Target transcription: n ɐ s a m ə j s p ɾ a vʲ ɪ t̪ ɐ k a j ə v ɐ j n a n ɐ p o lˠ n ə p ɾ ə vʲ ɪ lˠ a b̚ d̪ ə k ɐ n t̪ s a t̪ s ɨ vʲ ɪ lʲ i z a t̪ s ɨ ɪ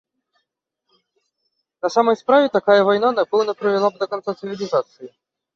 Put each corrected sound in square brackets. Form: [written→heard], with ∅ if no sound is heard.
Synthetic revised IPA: n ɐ s a m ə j s p ɾ a vʲ ɪ t̪ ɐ k a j ə v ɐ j n a n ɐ p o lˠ n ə p ɾ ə vʲ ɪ lˠ a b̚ d̪ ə k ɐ n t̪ s a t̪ s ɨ vʲ ɪ lʲ [i→ɪ] z a t̪ s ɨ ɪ